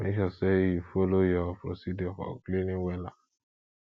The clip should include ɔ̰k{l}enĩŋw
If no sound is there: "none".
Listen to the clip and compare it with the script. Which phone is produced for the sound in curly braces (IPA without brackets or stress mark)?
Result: l